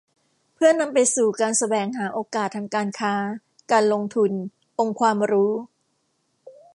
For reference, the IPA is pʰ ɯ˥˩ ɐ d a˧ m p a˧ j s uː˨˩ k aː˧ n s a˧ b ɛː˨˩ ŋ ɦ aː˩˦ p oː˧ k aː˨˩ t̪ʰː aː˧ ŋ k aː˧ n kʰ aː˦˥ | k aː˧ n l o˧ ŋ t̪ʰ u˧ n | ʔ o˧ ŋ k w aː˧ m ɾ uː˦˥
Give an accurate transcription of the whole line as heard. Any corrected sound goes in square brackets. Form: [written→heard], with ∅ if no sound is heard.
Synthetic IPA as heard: pʰ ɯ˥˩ ɐ [d→n] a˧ m p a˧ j s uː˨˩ k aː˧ n s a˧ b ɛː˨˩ ŋ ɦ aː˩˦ [p→ʔ] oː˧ k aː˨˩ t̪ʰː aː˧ ŋ k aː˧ n kʰ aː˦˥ | k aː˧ n l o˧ ŋ t̪ʰ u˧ n | ʔ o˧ ŋ [k→kʰ] w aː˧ m ɾ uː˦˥